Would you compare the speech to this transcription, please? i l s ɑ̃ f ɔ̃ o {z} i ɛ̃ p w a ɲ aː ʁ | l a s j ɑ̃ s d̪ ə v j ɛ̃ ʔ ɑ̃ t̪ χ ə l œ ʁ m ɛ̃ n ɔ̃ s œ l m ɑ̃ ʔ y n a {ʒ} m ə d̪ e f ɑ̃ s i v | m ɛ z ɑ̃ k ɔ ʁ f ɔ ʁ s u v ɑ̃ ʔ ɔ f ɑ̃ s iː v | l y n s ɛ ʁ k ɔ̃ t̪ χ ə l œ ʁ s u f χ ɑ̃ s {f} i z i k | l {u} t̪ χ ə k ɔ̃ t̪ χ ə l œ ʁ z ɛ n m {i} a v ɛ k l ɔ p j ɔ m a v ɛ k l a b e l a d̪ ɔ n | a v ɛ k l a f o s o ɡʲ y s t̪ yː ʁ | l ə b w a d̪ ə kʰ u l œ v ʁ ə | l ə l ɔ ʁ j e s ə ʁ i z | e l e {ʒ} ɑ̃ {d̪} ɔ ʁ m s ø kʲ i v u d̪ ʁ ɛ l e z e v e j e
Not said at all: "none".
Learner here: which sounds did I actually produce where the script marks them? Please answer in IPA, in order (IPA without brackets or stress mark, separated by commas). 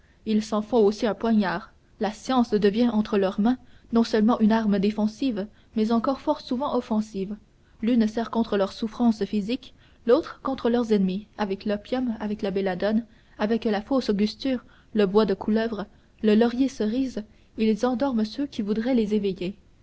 s, ʁ, f, o, i, z, d̪